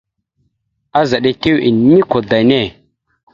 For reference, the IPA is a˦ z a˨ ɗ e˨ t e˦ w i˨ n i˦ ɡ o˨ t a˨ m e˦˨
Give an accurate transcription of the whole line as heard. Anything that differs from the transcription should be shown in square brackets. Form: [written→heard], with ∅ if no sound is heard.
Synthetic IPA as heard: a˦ z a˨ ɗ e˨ t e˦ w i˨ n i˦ [ɡ→k] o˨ [t→d] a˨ [m→n] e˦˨

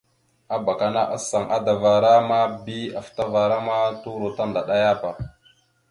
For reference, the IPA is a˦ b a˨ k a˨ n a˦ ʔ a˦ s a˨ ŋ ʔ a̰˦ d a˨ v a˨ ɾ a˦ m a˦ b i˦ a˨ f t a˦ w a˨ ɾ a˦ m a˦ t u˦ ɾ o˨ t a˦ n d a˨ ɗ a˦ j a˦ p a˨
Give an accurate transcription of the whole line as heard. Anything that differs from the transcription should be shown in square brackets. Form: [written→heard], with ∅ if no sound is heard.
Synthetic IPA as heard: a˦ b a˨ k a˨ n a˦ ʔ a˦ s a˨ ŋ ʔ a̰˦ d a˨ v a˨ ɾ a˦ m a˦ b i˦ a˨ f t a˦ [w→v] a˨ ɾ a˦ m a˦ t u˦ ɾ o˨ t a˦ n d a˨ ɗ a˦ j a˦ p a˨

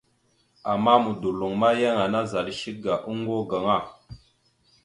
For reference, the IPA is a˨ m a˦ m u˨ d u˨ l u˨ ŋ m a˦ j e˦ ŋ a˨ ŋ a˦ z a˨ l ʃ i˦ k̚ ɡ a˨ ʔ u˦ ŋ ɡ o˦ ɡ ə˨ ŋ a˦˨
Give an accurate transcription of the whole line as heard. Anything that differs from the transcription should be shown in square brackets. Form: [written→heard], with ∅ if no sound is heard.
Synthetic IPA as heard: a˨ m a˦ m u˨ d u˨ l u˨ ŋ m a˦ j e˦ ŋ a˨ [ŋ→n] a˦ z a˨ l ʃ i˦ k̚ ɡ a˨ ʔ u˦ ŋ ɡ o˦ ɡ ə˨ ŋ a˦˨

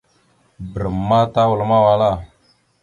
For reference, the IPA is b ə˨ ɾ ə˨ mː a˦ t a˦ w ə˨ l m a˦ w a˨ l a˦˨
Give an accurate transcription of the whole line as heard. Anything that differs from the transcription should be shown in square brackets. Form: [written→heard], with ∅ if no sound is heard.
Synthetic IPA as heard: b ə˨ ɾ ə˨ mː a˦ t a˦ w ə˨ l m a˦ w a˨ l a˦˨

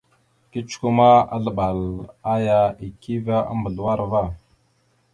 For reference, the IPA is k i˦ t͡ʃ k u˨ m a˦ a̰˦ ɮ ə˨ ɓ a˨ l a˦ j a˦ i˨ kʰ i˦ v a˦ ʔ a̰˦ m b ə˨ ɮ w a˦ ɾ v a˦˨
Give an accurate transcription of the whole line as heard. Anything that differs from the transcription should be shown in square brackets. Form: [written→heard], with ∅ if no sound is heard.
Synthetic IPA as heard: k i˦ t͡ʃ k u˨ m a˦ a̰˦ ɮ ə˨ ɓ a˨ l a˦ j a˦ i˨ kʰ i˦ v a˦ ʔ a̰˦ m b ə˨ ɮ w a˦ ɾ v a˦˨

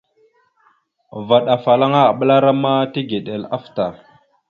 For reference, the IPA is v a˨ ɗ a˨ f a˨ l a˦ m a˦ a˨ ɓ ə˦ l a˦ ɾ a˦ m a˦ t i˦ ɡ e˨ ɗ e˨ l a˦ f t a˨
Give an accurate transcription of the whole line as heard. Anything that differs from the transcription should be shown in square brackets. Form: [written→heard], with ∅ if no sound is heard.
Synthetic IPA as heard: v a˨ ɗ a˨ f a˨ l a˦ [m→ŋ] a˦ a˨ ɓ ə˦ l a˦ ɾ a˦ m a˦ t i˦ ɡ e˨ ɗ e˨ l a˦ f t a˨

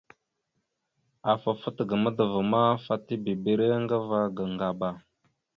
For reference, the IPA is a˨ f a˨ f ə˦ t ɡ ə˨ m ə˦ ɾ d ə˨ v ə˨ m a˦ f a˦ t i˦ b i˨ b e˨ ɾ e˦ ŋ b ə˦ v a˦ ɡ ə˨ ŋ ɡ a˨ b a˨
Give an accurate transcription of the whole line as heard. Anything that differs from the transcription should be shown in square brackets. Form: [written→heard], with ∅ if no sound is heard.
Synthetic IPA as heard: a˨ f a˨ f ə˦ t ɡ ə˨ m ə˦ [ɾ→∅] d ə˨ v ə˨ m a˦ f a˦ t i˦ b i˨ b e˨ ɾ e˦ ŋ [b→ɡ] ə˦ v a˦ ɡ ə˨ ŋ ɡ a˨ b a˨

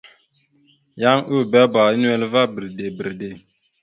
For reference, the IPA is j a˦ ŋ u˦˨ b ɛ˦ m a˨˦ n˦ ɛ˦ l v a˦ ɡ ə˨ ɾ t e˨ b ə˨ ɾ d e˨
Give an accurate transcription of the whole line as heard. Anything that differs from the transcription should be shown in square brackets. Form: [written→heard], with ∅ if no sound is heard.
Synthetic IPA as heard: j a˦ ŋ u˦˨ b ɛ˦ [m→b] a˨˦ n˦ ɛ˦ l v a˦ [ɡ→b] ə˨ ɾ [t→d] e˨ b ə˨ ɾ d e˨

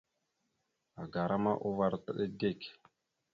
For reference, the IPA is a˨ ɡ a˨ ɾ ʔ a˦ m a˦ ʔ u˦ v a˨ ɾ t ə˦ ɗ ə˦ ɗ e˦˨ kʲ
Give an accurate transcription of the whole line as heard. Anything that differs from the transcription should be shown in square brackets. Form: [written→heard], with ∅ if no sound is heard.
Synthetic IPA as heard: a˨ ɡ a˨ ɾ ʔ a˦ m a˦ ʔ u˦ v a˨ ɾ t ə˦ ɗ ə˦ [ɗ→d] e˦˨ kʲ

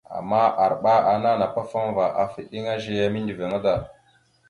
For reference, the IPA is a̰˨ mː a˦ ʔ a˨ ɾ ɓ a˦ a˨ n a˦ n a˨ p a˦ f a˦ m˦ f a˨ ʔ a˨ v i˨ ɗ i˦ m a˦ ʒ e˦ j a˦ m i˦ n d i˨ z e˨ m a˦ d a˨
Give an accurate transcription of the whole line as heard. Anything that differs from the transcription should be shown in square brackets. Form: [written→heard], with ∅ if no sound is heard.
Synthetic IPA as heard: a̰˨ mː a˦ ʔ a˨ ɾ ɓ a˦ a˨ n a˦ n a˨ p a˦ f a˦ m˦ [f→v] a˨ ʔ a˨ [v→f] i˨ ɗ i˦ [m→ŋ] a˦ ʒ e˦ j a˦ m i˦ n d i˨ [z→v] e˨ [m→ŋ] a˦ d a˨

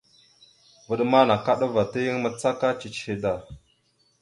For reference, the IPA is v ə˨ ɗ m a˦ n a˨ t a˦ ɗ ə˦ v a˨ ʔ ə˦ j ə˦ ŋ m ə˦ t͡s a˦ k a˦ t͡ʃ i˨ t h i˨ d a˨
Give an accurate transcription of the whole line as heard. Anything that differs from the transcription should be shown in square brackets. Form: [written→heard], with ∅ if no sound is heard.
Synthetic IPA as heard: v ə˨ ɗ m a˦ n a˨ [t→k] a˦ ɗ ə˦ v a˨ [ʔ→t] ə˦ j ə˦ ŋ m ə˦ t͡s a˦ k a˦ t͡ʃ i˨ [t→t͡ʃ] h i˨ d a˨

